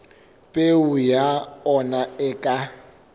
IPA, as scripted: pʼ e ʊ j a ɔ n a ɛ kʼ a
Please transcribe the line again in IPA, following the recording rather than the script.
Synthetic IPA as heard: pʼ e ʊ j a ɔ n a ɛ kʼ a